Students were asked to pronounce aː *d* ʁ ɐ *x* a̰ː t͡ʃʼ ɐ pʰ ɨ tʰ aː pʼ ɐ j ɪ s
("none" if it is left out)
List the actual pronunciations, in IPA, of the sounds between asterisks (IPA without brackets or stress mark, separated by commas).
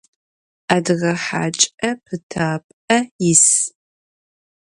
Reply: d, ħ